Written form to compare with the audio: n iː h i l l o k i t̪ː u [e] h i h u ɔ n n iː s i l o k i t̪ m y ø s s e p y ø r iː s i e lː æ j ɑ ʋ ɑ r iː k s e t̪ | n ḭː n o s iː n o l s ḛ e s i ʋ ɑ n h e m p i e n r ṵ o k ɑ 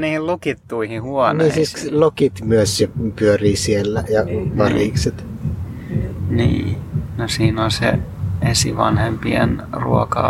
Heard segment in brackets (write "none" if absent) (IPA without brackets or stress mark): i